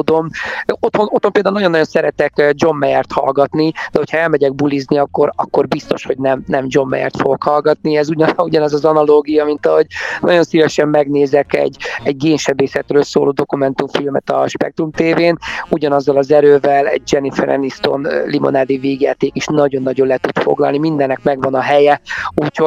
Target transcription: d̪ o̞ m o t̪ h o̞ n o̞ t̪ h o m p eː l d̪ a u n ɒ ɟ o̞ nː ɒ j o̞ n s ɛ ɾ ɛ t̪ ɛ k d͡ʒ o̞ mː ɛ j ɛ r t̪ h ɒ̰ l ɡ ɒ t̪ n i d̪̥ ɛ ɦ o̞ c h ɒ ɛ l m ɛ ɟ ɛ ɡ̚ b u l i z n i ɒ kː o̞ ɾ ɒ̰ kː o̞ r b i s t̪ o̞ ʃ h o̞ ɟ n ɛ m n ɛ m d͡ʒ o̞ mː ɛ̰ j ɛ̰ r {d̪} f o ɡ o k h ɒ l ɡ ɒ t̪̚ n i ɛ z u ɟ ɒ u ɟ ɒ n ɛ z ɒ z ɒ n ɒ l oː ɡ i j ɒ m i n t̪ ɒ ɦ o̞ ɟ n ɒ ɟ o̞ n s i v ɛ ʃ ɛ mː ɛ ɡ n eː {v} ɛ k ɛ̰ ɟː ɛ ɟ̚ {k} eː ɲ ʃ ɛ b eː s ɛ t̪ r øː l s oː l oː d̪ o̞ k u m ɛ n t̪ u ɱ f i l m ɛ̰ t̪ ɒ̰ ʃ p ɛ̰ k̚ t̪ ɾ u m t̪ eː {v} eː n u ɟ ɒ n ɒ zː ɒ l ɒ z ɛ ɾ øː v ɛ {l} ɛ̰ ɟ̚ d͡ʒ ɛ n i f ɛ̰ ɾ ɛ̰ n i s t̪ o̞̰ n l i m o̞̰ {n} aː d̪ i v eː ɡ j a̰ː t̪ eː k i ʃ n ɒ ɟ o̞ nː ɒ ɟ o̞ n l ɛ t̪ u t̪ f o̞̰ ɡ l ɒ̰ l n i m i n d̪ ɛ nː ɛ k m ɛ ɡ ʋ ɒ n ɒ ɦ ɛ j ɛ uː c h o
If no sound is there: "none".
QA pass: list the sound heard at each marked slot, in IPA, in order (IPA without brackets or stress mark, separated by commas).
t̪, z, ɡ, v, l, n